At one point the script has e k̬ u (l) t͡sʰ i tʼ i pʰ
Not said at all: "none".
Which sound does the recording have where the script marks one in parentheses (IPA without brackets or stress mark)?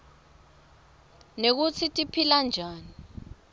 none